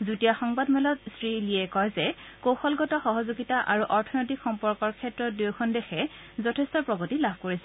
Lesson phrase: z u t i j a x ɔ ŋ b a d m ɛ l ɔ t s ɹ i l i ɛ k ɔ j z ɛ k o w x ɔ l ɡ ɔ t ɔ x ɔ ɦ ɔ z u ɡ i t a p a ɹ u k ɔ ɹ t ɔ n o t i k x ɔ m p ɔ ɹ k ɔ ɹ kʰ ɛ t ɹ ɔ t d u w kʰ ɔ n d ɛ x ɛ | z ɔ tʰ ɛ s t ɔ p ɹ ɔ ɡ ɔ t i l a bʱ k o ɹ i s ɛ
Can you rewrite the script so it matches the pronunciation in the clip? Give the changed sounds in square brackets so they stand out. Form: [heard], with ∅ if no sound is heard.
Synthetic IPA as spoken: z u t i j a x ɔ ŋ b a d m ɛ l ɔ t s ɹ i l i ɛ k ɔ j z ɛ k o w x ɔ l ɡ ɔ t ɔ x ɔ ɦ ɔ z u ɡ i t a [ʔ] a ɹ u [ʔ] ɔ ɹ [tʰ] ɔ n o t i k x ɔ m p ɔ ɹ k ɔ ɹ kʰ ɛ t ɹ ɔ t d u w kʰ ɔ n d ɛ x ɛ | z ɔ tʰ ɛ s t ɔ p ɹ ɔ ɡ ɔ t i l a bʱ k o ɹ i s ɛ